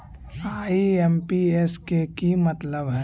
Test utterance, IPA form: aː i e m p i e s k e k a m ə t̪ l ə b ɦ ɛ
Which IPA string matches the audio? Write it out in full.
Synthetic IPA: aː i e m p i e s k e k i m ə t̪ l ə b ɦ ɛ